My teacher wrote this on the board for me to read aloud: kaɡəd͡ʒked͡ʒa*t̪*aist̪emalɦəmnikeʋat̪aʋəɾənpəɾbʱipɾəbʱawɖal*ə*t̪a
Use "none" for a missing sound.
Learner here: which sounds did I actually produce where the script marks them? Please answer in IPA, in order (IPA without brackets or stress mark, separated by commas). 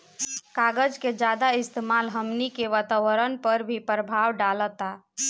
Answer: d̪, ə